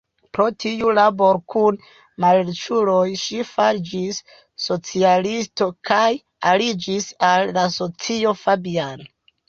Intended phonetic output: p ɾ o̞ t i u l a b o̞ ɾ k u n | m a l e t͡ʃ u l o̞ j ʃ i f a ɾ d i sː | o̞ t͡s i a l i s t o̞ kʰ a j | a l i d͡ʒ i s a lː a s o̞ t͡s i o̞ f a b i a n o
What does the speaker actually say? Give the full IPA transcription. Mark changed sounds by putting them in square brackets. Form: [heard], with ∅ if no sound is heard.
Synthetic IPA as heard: p ɾ o̞ t i u l a b o̞ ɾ k u n | m a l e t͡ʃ u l o̞ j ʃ i f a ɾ [d͡ʒ] i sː | o̞ t͡s i a l i s t o̞ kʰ a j | a l i d͡ʒ i s a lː a s o̞ t͡s i o̞ f a b i a n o

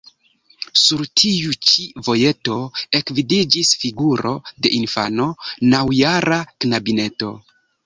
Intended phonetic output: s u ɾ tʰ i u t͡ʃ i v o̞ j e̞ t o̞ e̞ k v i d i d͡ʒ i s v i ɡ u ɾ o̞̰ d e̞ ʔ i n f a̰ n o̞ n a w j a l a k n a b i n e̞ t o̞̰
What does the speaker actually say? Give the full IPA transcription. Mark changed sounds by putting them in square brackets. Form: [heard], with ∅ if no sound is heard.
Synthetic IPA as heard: s u ɾ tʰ i u t͡ʃ i v o̞ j e̞ t o̞ e̞ k v i d i d͡ʒ i s [f] i ɡ u ɾ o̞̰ d e̞ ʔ i n f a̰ n o̞ n a w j a [ɾ] a k n a b i n e̞ t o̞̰

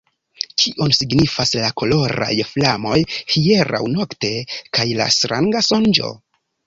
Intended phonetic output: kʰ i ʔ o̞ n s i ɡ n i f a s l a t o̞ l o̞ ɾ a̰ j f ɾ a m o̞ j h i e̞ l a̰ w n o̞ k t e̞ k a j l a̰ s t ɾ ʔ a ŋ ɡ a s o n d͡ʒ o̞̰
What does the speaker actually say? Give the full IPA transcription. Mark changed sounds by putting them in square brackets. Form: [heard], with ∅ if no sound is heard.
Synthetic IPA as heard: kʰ i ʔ o̞ n s i ɡ n i f a s l a [k] o̞ l o̞ ɾ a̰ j f [l] a m o̞ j h i e̞ [ɾ] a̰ w n o̞ k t e̞ k a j l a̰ s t ɾ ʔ a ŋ ɡ a s o n d͡ʒ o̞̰

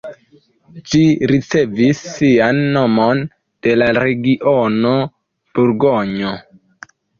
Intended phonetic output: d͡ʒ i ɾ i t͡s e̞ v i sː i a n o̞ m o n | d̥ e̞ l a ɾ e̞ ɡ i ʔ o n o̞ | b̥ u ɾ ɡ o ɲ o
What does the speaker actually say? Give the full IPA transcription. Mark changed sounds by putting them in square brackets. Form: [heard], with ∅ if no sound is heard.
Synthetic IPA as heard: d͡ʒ i ɾ i t͡s e̞ v i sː i a [nː] o̞ m o n | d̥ e̞ l a ɾ e̞ ɡ i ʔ o n o̞ | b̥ u ɾ ɡ o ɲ o

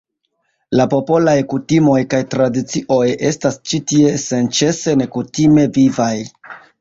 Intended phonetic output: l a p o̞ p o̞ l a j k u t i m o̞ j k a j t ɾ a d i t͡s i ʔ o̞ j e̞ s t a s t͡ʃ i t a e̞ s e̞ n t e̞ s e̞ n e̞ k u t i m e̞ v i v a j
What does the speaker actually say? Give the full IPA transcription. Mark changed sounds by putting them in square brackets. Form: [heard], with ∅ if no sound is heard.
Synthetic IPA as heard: l a p o̞ p o̞ l a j k u t i m o̞ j k a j t ɾ a d i t͡s i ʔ o̞ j e̞ s t a s t͡ʃ i t [i] e̞ s e̞ n [t͡ʃ] e̞ s e̞ n e̞ k u t i m e̞ v i v a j

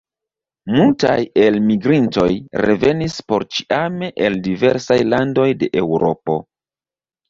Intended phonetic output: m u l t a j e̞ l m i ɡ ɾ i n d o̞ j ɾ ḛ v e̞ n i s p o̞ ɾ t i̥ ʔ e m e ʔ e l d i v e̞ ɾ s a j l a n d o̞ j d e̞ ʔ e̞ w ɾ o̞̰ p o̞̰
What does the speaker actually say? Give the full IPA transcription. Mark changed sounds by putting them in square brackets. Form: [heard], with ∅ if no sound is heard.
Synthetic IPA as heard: m u l t a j e̞ l m i ɡ ɾ i n [t] o̞ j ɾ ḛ v e̞ n i s p o̞ ɾ [t͡ʃ] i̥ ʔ [a] m e ʔ e l d i v e̞ ɾ s a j l a n d o̞ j d e̞ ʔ e̞ w ɾ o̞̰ p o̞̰

